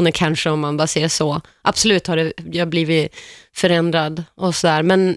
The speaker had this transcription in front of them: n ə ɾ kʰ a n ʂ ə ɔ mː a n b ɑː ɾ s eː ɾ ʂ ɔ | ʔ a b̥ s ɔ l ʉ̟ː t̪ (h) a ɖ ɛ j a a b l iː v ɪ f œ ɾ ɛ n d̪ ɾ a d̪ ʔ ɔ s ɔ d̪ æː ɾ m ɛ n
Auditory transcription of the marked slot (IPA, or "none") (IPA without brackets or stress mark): h